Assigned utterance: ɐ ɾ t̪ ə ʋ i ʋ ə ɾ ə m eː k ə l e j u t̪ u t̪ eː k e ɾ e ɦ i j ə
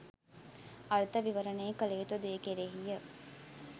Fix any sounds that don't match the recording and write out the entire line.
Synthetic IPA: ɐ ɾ t̪ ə ʋ i ʋ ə ɾ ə n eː k ə l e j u t̪ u d̪ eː k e ɾ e ɦ i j ə